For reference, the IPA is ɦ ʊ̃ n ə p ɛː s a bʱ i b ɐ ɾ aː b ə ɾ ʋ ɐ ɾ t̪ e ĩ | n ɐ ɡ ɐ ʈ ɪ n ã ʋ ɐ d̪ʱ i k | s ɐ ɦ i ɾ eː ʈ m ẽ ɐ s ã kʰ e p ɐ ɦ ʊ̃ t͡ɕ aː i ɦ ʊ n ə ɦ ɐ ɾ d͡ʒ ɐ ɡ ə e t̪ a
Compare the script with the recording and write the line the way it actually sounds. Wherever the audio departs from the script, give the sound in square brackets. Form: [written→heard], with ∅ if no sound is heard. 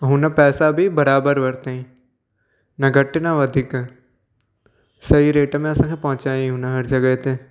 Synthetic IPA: ɦ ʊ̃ n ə p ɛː s a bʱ i b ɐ ɾ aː b ə ɾ ʋ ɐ ɾ t̪ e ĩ | n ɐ ɡ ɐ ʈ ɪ n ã ʋ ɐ d̪ʱ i k | s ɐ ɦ i ɾ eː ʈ m ẽ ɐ s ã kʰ e p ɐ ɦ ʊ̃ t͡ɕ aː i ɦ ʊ n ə ɦ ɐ ɾ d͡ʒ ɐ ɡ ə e t̪ [a→e]